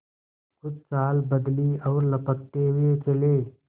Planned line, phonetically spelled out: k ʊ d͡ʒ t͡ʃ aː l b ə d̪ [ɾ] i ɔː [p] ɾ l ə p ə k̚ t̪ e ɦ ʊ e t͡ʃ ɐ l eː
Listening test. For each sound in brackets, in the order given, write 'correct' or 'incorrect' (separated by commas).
incorrect, incorrect